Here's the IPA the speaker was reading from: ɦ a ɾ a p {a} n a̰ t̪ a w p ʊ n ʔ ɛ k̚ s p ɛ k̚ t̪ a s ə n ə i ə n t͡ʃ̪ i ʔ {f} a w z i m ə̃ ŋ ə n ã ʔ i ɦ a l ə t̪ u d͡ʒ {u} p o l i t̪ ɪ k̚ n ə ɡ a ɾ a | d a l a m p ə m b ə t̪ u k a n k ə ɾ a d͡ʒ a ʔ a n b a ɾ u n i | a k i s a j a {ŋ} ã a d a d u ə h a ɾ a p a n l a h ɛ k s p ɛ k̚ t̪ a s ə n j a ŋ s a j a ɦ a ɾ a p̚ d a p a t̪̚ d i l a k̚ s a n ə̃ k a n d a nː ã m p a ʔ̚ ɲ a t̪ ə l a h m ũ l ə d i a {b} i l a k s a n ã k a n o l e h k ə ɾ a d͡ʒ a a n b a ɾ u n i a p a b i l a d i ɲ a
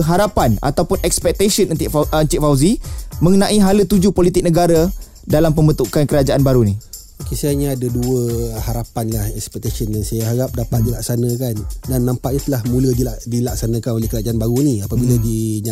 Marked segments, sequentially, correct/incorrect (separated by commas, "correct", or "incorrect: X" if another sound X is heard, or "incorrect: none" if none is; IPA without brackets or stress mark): correct, correct, correct, incorrect: ɲ, incorrect: d